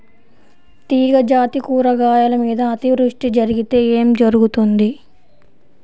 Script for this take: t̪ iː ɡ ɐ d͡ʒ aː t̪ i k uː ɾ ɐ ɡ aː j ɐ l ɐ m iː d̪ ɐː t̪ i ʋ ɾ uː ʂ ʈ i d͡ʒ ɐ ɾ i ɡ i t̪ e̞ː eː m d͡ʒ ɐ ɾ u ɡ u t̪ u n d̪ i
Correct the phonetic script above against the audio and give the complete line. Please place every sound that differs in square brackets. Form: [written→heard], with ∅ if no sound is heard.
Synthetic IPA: t̪ iː ɡ ɐ d͡ʒ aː t̪ i k uː ɾ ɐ ɡ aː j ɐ l ɐ m iː d̪ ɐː t̪ i ʋ ɾ [uː→u] ʂ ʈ i d͡ʒ ɐ ɾ i ɡ i t̪ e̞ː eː m d͡ʒ ɐ ɾ u ɡ u t̪ u n d̪ i